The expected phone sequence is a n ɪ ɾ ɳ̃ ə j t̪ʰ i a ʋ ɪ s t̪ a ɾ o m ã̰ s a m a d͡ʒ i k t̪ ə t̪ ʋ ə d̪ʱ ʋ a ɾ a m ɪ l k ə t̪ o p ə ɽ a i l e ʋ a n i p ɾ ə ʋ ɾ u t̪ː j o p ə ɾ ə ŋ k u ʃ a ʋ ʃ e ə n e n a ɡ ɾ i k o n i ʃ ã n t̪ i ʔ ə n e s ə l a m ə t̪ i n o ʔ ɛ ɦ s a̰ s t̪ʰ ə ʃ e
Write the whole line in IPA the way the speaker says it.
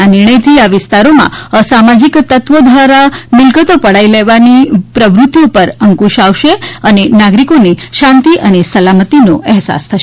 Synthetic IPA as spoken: a n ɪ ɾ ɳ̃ ə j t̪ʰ i a ʋ ɪ s t̪ a ɾ o m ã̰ s a m a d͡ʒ i k t̪ ə t̪ ʋ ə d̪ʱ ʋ a ɾ a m ɪ l k ə t̪ o p ə ɽ a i l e ʋ a n i p ɾ ə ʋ ɾ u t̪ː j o p ə ɾ ə ŋ k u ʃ a ʋ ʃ e ə n e n a ɡ ɾ i k o n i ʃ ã n t̪ i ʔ ə n e s ə l a m ə t̪ i n o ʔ ɛ ɦ s a̰ s t̪ʰ ə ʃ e